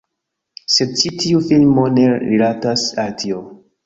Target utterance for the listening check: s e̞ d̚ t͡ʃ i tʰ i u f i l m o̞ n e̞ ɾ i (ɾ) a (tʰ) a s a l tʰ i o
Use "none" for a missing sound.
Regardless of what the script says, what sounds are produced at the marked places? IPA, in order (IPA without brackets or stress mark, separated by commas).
l, t